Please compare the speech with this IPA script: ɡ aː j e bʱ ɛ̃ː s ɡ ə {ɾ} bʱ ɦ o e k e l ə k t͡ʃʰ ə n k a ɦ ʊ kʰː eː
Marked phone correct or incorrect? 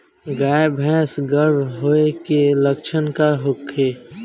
correct